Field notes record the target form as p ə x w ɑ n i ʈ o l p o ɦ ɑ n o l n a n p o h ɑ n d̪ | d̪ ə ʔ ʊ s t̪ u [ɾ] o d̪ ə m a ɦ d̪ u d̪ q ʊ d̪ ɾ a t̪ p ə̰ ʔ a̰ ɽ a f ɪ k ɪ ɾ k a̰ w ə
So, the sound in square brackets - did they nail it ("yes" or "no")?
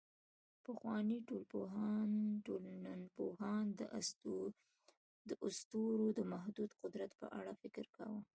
yes